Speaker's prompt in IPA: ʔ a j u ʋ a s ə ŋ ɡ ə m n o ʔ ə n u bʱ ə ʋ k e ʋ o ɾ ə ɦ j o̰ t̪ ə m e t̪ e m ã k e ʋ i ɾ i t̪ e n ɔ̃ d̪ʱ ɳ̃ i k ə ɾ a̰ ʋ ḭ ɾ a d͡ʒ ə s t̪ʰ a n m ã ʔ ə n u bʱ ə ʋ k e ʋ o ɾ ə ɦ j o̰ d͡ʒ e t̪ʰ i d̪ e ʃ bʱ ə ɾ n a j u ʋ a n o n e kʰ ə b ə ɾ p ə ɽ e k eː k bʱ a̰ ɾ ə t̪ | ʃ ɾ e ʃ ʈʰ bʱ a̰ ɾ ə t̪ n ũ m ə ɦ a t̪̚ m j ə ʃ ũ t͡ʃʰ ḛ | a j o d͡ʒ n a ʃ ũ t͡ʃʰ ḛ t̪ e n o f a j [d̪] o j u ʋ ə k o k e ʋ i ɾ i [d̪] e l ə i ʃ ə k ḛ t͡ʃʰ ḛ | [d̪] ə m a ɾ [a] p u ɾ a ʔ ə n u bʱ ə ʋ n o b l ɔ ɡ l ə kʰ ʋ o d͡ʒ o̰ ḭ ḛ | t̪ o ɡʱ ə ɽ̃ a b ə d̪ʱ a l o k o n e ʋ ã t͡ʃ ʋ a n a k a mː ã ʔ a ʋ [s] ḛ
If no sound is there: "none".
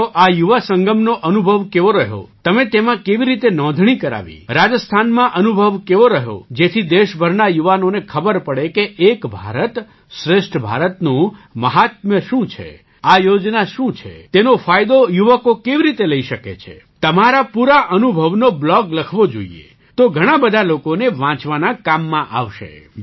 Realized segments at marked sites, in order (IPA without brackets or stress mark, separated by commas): d̪, t̪, t̪, a, ʃ